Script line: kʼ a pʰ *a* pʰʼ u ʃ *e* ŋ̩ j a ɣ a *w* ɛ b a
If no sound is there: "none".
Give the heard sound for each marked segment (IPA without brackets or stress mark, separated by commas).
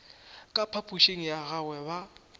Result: a, e, w